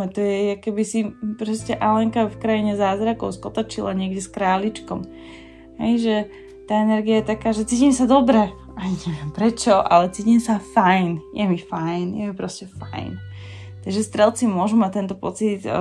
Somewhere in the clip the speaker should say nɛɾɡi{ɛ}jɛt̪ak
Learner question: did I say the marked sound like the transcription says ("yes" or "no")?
no